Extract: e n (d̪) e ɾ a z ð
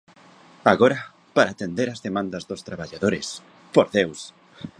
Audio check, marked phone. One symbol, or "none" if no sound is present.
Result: d̪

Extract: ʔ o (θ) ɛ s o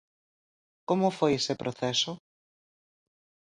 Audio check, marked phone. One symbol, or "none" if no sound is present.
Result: θ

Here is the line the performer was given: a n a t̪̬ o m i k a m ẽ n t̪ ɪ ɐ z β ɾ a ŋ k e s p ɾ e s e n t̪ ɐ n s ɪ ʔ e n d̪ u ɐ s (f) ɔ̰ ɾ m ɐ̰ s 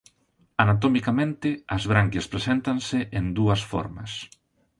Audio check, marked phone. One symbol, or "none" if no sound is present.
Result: f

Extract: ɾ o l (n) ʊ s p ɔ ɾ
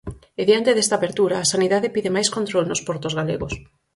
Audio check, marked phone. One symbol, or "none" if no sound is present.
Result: n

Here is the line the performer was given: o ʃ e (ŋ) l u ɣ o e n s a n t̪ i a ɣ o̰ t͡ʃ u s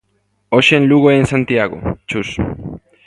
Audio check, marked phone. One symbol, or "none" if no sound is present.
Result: n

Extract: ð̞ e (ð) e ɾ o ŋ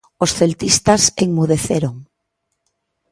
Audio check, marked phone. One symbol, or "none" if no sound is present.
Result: θ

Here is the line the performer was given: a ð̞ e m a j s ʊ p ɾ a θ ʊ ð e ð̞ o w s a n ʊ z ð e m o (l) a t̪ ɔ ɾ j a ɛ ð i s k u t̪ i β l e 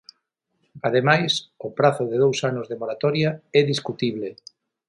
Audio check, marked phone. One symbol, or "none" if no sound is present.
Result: ɾ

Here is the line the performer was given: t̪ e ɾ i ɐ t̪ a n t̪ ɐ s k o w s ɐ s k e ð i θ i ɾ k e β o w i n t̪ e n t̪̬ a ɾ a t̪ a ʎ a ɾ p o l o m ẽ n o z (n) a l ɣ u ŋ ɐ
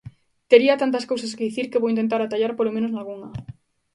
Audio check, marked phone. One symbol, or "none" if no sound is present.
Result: n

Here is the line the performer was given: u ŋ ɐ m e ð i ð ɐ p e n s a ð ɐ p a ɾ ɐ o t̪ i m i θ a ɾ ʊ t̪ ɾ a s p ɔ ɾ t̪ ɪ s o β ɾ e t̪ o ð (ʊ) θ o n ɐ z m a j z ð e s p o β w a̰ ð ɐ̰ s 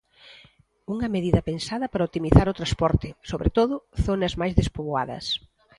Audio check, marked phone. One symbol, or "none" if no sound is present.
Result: ʊ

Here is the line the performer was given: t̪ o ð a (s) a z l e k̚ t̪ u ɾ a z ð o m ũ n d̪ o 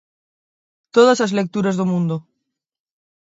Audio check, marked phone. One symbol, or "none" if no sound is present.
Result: s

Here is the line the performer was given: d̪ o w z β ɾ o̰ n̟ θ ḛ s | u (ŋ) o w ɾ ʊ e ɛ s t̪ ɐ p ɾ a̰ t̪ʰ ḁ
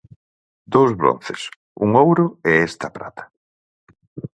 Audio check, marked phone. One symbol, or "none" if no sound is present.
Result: ŋ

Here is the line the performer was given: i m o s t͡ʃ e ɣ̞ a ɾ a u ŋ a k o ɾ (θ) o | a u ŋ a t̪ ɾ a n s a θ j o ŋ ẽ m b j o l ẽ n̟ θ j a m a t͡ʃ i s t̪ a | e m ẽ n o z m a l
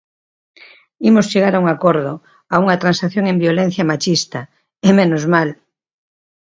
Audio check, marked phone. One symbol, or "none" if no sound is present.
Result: ð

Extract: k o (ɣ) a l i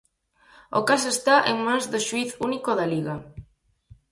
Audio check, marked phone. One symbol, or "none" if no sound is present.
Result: ð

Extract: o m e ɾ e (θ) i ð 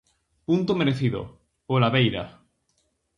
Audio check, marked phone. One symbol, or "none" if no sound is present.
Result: θ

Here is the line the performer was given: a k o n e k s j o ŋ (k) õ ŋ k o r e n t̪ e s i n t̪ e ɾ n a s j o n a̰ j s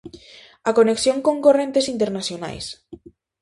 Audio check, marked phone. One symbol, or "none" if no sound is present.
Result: k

